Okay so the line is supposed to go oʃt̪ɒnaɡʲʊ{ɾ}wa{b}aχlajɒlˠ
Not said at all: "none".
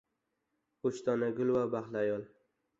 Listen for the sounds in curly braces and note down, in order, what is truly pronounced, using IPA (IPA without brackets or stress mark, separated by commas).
l, b